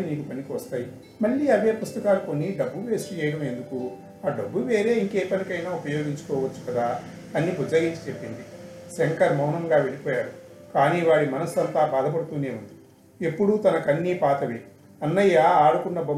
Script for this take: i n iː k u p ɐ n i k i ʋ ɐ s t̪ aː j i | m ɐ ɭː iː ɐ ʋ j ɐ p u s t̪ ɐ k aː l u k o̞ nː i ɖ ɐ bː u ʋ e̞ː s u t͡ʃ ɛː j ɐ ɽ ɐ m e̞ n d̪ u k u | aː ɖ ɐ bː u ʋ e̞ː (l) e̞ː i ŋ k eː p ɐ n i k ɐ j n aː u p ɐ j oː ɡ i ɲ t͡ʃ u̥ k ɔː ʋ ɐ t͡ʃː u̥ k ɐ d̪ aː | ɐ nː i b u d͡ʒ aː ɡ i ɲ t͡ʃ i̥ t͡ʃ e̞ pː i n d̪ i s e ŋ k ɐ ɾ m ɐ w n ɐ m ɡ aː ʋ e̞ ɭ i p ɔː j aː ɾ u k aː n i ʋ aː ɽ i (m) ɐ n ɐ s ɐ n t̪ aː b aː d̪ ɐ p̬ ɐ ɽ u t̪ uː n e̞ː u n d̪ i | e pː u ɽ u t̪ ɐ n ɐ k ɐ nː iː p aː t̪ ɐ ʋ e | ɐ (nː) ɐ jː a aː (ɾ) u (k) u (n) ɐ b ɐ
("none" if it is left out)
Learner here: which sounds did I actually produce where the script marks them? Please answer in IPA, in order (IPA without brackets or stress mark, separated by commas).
ɾ, m, nː, ɽ, k, nː